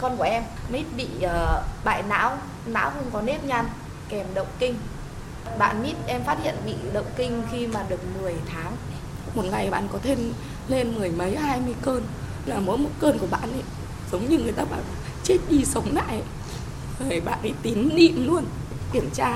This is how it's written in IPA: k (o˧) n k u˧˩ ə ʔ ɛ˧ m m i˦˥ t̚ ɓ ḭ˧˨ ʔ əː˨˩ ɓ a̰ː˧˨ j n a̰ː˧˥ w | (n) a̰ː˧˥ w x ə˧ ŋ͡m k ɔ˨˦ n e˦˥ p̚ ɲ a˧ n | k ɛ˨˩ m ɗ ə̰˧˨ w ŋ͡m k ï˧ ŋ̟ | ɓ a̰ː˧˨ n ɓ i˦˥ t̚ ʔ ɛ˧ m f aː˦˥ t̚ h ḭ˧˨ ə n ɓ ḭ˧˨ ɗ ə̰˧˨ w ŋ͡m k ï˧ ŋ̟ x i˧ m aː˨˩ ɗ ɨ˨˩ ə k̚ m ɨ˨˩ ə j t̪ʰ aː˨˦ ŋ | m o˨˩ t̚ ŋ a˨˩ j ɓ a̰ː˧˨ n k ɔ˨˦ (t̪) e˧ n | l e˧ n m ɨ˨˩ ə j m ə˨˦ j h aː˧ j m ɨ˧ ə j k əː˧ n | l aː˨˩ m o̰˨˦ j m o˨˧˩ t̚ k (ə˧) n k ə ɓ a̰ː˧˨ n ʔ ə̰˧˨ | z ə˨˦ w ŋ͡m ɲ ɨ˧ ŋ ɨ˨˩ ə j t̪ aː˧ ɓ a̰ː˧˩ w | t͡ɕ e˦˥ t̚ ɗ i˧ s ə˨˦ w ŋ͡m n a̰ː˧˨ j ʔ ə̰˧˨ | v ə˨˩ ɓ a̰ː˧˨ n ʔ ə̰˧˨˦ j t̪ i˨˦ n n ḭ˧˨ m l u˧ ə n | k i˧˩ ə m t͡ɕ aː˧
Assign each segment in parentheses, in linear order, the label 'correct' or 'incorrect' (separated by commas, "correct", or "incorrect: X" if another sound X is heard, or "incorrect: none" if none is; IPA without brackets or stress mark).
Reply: incorrect: ɔ˧, correct, incorrect: t̪ʰ, incorrect: əː˧